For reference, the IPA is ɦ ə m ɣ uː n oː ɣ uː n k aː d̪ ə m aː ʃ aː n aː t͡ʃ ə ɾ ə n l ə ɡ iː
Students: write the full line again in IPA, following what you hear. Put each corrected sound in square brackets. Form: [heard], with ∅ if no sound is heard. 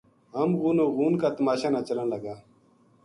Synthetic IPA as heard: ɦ ə m ɣ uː n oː ɣ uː n k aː [t̪] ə m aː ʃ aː n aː t͡ʃ ə [l] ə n l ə ɡ [aː]